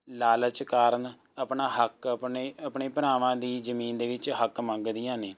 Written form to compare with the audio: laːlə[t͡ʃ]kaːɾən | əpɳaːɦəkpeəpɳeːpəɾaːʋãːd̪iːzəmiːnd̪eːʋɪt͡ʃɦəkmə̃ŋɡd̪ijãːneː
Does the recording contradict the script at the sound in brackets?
no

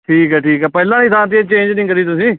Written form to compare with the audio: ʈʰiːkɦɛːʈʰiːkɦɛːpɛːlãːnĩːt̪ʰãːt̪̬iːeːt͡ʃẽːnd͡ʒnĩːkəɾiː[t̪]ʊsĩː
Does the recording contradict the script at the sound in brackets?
no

